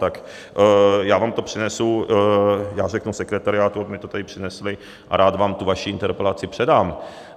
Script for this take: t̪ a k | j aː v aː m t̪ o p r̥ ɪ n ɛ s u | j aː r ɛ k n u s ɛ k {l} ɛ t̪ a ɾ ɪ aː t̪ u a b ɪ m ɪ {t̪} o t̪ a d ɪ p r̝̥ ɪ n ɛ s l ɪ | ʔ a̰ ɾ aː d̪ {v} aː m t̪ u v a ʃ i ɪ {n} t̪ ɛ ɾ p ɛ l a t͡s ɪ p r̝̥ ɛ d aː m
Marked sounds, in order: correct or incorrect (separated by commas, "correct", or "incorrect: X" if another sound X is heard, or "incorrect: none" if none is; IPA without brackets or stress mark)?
incorrect: ɾ, correct, correct, correct